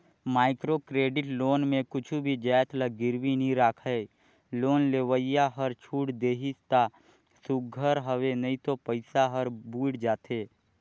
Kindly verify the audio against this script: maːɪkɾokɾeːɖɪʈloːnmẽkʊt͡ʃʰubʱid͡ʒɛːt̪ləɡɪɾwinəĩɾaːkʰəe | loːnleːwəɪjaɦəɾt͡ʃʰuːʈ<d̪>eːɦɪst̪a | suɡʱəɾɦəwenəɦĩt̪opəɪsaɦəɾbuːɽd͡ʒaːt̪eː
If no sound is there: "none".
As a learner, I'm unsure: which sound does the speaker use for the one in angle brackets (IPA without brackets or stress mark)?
d̪